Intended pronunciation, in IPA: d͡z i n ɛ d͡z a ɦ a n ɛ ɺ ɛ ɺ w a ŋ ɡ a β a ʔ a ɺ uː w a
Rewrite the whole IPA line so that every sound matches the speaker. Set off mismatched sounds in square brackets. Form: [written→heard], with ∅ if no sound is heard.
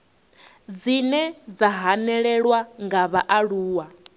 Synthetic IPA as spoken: d͡z i n ɛ d͡z a ɦ a n ɛ ɺ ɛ ɺ w a ŋ ɡ a β a ʔ a ɺ uː w a